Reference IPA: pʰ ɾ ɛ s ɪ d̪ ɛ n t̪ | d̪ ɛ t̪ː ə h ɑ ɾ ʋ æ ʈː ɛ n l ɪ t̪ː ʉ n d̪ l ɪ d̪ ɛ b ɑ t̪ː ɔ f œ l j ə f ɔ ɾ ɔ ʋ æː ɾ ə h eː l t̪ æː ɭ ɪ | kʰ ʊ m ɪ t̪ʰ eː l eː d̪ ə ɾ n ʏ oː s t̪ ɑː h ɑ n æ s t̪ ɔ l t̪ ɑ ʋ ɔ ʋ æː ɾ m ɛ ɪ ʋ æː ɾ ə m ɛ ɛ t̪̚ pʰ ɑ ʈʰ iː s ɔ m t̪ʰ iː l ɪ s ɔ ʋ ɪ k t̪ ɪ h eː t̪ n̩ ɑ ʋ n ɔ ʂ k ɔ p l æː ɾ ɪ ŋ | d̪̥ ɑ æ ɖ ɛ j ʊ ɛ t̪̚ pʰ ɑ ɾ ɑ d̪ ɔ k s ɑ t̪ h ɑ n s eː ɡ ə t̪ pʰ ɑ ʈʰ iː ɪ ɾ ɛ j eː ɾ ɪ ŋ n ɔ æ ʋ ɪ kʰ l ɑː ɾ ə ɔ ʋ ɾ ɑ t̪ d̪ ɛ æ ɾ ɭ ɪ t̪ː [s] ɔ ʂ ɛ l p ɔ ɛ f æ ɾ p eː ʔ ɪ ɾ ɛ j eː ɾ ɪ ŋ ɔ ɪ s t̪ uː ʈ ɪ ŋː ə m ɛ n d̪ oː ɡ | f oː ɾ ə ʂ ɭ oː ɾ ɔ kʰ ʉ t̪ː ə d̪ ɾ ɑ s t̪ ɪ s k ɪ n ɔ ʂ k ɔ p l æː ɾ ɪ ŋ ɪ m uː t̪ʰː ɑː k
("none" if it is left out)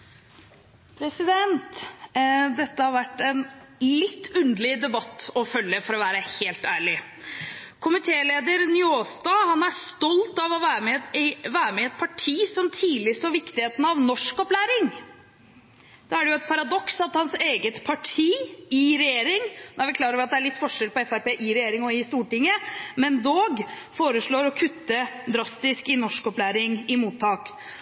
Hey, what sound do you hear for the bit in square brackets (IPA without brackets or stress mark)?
f